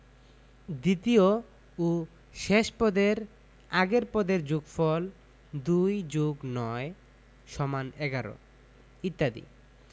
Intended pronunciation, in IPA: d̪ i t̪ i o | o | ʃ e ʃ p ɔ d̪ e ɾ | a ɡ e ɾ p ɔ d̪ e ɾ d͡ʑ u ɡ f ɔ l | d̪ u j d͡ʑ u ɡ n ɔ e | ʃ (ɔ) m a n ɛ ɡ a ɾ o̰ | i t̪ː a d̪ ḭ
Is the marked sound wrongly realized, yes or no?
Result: no